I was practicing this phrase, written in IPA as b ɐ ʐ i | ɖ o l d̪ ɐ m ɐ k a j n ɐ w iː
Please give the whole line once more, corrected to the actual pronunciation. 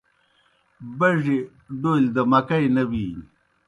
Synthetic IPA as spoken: b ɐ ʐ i | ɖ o l d̪ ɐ m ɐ k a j n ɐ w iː

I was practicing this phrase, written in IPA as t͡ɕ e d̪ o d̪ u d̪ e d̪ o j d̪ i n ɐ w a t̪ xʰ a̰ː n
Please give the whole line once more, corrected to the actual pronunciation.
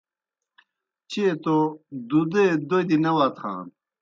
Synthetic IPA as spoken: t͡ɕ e t̪ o d̪ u d̪ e d̪ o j d̪ i n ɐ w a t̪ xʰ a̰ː n

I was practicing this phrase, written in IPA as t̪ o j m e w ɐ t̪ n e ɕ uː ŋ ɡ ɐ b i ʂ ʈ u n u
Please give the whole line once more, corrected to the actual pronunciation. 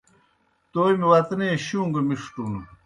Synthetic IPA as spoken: t̪ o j m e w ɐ t̪ n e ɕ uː ŋ ɡ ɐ m i ʂ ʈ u n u

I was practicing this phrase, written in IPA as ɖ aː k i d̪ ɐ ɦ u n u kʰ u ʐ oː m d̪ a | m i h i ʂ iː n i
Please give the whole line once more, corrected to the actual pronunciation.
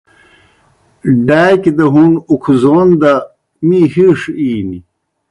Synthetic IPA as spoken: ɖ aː k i d̪ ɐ ɦ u n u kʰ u z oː n d̪ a | m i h i ʂ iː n i

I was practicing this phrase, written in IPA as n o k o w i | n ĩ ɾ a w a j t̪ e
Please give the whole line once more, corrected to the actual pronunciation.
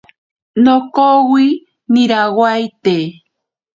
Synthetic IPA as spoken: n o k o w i | n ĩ ɾ a w a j t̪ e

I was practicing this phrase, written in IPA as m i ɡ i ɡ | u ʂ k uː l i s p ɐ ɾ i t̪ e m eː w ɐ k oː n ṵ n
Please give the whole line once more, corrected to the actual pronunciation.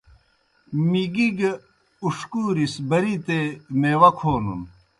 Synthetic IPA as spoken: m i ɡ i ɡ | u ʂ k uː ɾ i s b ɐ ɾ i t̪ e m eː w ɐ kʰ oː n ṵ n

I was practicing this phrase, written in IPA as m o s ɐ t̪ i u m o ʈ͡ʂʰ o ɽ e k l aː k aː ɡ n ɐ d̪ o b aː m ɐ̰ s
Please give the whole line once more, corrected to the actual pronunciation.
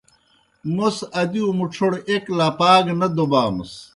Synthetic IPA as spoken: m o s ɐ d̪ i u m u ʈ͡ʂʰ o ɽ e k l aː p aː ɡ n ɐ d̪ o b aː m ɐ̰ s

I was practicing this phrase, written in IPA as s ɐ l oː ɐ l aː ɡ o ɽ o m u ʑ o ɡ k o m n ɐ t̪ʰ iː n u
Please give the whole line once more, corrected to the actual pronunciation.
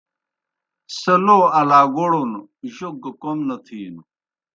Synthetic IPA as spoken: s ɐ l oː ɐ l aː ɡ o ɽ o n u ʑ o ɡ k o m n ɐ t̪ʰ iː n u

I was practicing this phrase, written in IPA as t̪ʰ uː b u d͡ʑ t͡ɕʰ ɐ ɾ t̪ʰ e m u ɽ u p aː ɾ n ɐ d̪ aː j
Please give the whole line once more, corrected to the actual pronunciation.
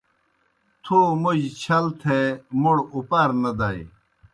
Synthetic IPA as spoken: t̪ʰ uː m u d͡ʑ t͡ɕʰ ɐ l t̪ʰ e m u ɽ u p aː ɾ n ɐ d̪ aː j

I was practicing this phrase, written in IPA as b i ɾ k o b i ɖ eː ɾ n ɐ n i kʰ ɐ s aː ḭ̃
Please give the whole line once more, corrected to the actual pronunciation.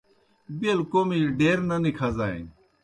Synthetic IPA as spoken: b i l k o m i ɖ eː ɾ n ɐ n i kʰ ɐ z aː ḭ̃

